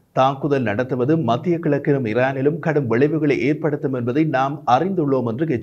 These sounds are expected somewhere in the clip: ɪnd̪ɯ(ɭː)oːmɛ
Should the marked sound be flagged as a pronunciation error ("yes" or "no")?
no